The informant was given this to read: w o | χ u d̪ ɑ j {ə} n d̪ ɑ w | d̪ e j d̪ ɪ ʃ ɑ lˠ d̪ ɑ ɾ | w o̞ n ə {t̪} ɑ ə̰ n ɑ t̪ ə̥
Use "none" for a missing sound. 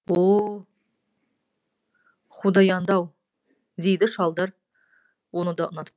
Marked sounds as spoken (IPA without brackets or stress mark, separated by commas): ɑ, d̪